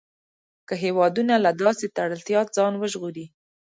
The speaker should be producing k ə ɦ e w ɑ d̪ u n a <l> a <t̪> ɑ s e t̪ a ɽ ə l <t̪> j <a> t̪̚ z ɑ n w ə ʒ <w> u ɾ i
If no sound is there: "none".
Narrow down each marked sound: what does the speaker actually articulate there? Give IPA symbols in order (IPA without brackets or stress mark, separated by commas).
l, d̪, t̪, ɑ, ɣ